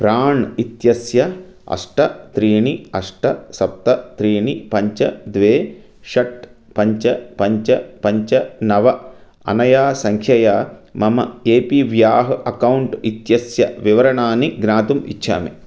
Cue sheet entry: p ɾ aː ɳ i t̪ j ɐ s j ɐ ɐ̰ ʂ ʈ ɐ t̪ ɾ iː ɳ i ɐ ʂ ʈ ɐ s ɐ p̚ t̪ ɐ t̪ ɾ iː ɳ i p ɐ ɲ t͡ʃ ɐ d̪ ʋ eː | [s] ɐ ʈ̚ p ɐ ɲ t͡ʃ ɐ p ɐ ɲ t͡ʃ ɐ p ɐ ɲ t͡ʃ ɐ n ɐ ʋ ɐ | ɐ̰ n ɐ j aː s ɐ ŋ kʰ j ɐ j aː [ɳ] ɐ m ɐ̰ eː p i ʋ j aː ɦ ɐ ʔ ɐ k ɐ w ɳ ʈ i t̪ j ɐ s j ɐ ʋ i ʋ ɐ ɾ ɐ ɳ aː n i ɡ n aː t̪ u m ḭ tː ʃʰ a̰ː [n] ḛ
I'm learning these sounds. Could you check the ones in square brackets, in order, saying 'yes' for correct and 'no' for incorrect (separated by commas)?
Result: no, no, no